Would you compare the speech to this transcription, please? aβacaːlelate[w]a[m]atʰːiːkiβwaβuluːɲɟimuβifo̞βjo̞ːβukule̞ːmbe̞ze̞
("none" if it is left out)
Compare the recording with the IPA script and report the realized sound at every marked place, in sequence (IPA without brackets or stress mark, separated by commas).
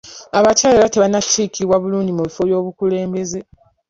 β, n